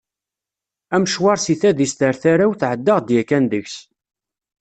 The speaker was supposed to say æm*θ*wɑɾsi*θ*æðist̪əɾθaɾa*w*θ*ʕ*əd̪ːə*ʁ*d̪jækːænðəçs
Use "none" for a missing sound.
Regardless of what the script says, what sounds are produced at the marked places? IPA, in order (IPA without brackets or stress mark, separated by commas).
ʃ, θ, w, ʕ, ʁ